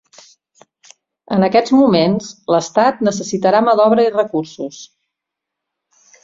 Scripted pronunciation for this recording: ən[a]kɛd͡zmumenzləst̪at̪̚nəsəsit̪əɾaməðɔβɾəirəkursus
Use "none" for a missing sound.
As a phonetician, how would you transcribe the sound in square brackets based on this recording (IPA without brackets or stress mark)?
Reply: ə